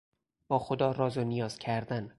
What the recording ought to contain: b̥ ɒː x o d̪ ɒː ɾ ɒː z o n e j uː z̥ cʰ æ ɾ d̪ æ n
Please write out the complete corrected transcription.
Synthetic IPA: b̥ ɒː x o d̪ ɒː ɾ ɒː z o n i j ɒː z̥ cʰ æ ɾ d̪ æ n